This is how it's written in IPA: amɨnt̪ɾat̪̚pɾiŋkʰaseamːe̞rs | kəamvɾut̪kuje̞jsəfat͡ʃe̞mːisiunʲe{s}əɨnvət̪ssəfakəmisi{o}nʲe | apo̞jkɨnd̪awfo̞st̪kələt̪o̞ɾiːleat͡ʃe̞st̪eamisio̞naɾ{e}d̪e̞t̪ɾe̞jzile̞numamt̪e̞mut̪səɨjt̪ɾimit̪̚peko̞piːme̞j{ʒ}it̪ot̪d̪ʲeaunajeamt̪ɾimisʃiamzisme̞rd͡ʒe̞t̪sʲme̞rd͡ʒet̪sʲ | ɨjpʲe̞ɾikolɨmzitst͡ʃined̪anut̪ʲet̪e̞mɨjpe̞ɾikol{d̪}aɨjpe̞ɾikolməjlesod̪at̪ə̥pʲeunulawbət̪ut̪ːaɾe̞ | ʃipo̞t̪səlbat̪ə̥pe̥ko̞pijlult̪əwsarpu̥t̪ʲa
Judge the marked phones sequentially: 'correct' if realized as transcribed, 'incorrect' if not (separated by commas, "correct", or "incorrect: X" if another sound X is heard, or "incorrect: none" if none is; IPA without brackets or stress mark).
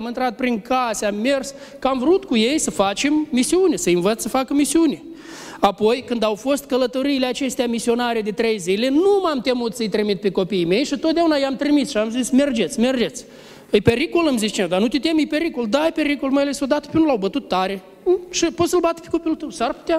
correct, incorrect: u, correct, incorrect: ʃ, correct